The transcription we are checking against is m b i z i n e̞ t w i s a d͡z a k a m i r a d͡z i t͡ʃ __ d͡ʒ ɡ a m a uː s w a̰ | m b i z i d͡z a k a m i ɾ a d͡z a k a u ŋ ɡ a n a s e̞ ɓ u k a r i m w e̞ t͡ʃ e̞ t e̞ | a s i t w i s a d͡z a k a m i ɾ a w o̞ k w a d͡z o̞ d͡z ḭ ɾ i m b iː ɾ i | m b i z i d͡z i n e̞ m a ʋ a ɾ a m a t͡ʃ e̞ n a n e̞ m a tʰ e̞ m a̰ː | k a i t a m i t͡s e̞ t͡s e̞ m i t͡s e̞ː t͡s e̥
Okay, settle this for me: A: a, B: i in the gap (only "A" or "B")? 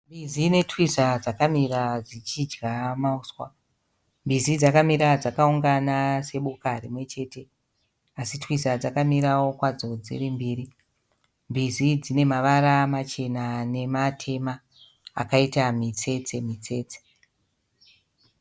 B